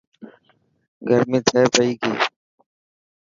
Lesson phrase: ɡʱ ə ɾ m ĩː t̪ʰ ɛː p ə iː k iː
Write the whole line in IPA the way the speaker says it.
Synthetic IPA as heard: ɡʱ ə ɾ m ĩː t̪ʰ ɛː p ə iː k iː